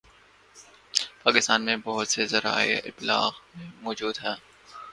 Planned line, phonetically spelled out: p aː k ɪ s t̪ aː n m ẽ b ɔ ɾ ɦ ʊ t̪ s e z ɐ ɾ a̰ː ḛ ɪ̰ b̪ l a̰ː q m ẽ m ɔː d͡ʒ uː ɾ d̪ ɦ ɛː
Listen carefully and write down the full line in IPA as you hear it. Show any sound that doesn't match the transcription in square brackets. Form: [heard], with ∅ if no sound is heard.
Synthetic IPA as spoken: p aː k ɪ s t̪ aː n m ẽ b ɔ [∅] ɦ ʊ t̪ s e z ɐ ɾ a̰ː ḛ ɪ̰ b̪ l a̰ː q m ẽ m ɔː d͡ʒ uː [∅] d̪ ɦ ɛː